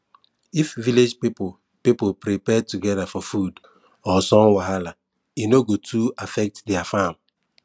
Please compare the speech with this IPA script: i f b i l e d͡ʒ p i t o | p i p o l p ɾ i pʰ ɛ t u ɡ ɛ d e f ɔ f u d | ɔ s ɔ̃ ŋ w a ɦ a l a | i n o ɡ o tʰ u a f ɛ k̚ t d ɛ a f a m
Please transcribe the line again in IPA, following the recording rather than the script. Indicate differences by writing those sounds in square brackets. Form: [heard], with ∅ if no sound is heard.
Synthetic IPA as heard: i f [v] i l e d͡ʒ p i [p] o | p i p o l p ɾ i [p] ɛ t u ɡ ɛ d [a] f ɔ f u d | ɔ s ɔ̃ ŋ w a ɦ a l a | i n o ɡ o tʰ u a f ɛ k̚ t d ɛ a f a m